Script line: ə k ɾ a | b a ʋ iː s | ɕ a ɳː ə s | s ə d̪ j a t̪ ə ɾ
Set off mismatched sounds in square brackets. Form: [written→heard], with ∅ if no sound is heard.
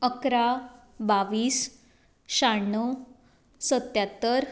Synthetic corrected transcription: ə k ɾ a | b a ʋ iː s | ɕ a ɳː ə [s→∅] | s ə [d̪→t̪] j a t̪ ə ɾ